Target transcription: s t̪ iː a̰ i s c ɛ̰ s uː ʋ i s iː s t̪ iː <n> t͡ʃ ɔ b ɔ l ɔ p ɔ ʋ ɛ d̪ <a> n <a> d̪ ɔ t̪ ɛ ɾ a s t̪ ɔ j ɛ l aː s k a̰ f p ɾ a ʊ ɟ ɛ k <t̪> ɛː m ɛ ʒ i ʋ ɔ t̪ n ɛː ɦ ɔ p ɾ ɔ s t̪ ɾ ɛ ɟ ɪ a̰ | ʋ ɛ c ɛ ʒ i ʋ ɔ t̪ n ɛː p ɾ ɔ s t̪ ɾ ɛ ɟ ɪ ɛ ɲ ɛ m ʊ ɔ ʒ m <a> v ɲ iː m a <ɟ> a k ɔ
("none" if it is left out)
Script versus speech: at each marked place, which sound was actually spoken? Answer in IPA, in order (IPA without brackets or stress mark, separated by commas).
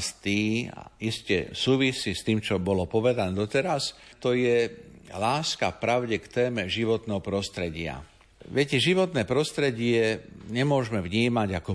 m, a, ɛ, t̪, ɛ, ɟ